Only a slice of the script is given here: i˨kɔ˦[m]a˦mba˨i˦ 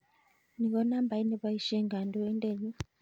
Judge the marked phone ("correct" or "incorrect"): incorrect